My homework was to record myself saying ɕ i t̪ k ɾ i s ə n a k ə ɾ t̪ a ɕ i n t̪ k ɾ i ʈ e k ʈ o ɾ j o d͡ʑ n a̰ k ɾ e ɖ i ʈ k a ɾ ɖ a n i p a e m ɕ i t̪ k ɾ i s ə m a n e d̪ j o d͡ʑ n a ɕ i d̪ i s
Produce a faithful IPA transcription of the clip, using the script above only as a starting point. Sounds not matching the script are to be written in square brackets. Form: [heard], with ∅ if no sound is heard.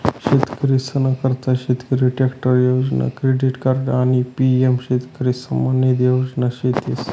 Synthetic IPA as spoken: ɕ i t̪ k ɾ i s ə n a k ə ɾ t̪ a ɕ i [∅] t̪ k ɾ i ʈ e k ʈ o ɾ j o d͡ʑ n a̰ k ɾ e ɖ i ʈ k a ɾ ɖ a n i p [i] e m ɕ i t̪ k ɾ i s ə m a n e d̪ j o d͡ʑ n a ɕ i [t̪] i s